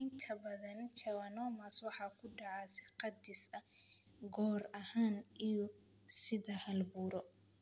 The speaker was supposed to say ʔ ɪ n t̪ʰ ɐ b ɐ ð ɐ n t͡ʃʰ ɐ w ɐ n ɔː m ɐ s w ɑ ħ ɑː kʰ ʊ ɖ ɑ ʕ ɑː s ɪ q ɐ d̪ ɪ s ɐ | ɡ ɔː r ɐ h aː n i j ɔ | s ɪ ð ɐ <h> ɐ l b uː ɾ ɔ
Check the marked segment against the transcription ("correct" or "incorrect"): correct